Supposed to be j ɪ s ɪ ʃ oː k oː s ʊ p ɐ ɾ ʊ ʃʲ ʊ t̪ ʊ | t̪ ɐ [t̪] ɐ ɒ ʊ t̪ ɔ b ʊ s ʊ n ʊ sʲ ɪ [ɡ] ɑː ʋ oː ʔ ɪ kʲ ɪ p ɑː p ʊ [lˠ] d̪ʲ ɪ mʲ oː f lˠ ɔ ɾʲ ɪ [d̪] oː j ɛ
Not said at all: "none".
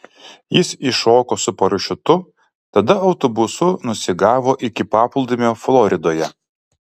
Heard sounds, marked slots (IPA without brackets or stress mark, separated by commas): d̪, ɡ, lˠ, d̪